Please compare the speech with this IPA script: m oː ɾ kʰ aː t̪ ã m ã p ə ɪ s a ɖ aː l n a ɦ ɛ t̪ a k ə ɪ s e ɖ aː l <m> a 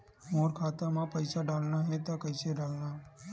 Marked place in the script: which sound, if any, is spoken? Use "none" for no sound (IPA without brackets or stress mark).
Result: n